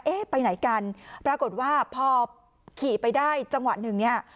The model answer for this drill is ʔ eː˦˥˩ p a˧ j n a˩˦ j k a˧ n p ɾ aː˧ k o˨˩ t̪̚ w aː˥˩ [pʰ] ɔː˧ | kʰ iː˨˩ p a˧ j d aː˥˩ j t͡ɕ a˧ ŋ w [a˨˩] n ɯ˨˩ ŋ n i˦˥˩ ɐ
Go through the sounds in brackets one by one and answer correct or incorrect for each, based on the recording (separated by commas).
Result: correct, correct